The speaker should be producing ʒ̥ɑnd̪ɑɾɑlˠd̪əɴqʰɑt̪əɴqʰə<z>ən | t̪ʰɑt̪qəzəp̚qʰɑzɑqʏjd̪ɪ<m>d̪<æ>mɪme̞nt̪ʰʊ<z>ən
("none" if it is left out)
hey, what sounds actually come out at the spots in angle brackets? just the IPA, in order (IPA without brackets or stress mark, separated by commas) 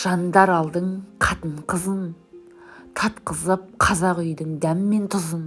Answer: z, ŋ, æ, z